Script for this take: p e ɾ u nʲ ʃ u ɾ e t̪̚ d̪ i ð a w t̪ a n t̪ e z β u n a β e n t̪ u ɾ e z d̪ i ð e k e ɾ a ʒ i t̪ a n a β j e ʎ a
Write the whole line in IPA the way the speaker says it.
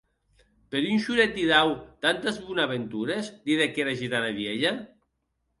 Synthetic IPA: p e ɾ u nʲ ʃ u ɾ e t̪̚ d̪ i ð a w t̪ a n t̪ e z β u n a β e n t̪ u ɾ e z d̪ i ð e k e ɾ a ʒ i t̪ a n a β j e ʎ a